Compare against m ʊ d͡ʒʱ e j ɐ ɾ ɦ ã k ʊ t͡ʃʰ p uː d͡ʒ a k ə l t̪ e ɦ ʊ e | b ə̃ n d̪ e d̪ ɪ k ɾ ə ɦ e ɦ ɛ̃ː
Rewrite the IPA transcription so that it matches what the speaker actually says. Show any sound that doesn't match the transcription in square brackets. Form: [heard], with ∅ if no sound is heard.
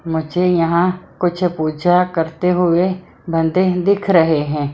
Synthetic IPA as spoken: m ʊ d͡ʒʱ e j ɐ [∅] ɦ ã k ʊ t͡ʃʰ p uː d͡ʒ a k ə [ɾ] t̪ e ɦ ʊ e | b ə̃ n d̪ e d̪ ɪ [kʰ] ɾ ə ɦ e ɦ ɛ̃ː